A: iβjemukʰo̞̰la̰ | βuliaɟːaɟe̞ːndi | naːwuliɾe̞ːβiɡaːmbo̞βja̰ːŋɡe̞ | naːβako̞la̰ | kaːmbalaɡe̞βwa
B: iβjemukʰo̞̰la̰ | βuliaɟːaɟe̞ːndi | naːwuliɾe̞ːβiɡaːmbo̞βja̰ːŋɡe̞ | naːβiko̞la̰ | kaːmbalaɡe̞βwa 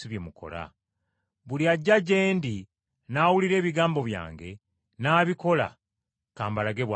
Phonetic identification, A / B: B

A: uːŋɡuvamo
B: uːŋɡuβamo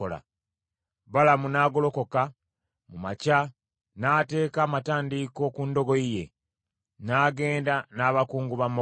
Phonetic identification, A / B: B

